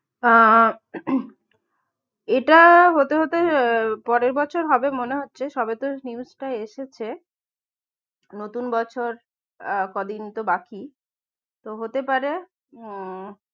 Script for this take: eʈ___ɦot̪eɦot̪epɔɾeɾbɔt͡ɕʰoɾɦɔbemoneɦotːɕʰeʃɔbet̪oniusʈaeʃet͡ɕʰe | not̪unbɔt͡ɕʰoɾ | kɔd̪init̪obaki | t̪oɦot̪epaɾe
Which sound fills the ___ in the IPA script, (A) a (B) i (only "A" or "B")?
A